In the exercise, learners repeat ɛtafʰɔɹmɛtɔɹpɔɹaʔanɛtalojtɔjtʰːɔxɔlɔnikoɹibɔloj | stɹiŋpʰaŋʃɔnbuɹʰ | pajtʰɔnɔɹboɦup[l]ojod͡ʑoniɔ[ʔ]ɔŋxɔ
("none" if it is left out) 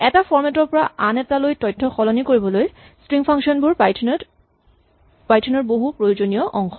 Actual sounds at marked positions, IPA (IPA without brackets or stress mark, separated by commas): ɹ, ʔ